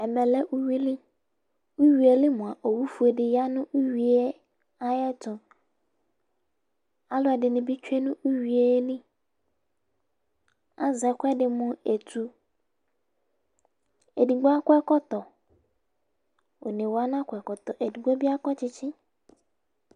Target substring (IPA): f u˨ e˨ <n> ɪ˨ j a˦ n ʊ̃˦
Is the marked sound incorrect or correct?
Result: incorrect